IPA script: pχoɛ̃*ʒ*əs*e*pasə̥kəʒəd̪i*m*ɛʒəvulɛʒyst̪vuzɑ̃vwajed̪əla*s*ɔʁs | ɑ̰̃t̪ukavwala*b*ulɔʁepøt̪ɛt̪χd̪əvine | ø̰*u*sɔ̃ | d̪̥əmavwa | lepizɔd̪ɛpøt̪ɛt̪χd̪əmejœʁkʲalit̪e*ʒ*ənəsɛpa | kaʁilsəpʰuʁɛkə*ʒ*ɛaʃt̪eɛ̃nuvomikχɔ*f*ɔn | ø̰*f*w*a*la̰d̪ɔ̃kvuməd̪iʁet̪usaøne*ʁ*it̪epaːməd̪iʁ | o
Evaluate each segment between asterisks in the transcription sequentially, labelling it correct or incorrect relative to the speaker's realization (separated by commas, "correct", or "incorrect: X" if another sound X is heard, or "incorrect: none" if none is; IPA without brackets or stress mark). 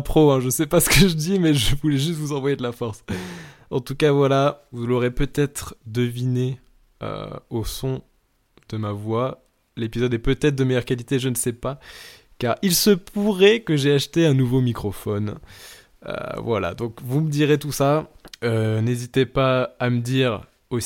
correct, incorrect: ɛ, correct, incorrect: f, incorrect: v, incorrect: o, correct, correct, correct, incorrect: v, correct, incorrect: z